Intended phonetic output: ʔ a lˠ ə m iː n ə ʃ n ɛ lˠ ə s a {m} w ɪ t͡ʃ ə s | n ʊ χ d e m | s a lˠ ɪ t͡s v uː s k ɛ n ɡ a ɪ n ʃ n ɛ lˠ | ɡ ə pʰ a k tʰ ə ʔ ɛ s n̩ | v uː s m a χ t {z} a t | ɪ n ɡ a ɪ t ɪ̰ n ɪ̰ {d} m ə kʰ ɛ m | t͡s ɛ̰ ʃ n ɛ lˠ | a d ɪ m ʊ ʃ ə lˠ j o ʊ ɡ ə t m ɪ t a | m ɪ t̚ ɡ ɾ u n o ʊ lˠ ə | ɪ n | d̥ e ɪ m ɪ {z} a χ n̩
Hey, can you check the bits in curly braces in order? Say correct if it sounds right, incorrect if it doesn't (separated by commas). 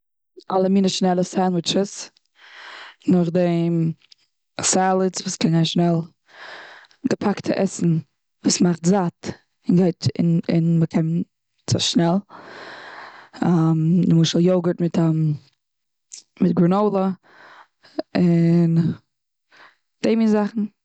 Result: incorrect, correct, incorrect, correct